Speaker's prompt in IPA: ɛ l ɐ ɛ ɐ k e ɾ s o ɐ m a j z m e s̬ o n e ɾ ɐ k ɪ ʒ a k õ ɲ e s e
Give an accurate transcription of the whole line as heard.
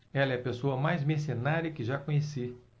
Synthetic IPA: ɛ l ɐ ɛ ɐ p e s o ɐ m a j z m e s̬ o n a ɾ ɐ k ɪ ʒ a k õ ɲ e s i